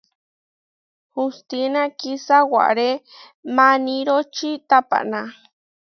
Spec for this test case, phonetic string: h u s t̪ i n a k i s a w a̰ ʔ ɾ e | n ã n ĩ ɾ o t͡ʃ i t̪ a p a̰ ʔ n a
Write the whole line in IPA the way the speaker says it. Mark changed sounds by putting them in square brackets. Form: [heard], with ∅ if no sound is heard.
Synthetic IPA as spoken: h u s t̪ i n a k i s a w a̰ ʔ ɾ e | [m] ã n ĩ ɾ o t͡ʃ i t̪ a p a̰ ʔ n a